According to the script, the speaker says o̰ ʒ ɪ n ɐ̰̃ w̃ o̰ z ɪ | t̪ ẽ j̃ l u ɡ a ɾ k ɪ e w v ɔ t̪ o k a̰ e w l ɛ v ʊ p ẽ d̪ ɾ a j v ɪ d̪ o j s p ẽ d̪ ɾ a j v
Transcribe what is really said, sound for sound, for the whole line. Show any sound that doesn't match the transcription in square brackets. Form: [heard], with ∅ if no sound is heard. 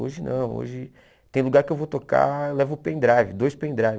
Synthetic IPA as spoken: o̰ ʒ ɪ n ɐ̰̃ w̃ o̰ [ʒ] ɪ | t̪ ẽ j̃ l u ɡ a ɾ k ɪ e w v [o] t̪ o k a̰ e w l ɛ v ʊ p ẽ d̪ ɾ a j v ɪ d̪ o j s p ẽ d̪ ɾ a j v